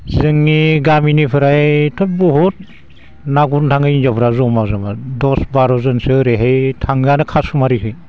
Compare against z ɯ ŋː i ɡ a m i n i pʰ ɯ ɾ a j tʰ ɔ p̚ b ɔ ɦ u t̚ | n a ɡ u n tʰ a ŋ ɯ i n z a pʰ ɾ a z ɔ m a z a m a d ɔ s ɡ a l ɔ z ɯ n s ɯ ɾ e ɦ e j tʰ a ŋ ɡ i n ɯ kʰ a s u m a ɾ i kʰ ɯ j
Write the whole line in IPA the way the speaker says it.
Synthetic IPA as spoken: z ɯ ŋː i ɡ a m i n i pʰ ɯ ɾ a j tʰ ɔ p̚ b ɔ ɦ u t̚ | n a ɡ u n tʰ a ŋ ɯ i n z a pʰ ɾ a z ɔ m a z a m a d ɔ s b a ɾ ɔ z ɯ n s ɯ ɾ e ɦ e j tʰ a ŋ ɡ a n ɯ kʰ a s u m a ɾ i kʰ ɯ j